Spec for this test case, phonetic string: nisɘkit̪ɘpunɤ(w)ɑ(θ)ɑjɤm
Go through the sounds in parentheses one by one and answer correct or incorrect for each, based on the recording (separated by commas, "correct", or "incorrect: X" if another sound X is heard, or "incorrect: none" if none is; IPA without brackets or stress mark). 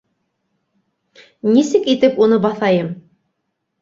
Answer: incorrect: b, correct